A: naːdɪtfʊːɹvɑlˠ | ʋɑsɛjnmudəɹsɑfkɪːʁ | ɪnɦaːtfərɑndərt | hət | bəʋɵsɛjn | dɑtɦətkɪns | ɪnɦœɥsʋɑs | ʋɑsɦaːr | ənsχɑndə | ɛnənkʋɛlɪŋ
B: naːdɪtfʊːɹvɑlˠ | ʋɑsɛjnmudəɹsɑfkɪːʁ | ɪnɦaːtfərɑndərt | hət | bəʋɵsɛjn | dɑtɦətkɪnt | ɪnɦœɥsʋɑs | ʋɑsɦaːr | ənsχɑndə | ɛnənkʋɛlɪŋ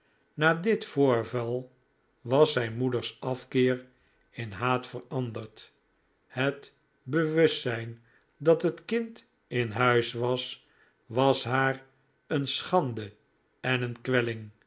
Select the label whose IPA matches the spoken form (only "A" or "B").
B